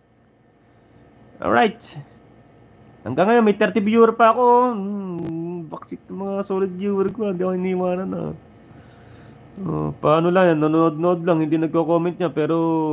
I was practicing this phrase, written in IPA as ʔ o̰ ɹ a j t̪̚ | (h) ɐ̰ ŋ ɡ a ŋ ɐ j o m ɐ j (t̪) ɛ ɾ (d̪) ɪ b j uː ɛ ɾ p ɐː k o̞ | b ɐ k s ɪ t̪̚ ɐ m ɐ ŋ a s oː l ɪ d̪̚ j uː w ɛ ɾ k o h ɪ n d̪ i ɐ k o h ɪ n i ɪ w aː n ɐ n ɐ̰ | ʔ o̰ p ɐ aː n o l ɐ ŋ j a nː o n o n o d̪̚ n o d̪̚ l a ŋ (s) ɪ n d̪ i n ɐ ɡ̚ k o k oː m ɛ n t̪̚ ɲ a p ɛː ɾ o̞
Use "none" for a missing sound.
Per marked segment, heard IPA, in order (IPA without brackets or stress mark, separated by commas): h, t̪, t̪, h